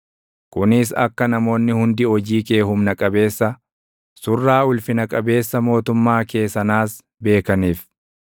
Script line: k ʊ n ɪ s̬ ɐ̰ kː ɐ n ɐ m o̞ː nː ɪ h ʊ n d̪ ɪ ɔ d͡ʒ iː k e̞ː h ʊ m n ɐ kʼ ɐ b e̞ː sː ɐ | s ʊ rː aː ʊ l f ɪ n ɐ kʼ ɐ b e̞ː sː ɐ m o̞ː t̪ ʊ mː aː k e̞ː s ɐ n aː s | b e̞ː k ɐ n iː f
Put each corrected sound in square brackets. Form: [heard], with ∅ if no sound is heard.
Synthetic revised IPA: k ʊ n ɪ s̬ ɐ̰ kː ɐ n ɐ m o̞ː nː ɪ h ʊ n d̪ ɪ ɔ d͡ʒ iː k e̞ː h ʊ m n ɐ kʼ ɐ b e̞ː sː ɐ | s ʊ rː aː ʊ l f ɪ n ɐ kʼ ɐ b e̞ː sː ɐ m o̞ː t̪ ʊ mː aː k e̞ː s ɐ n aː s | b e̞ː k ɐ n iː f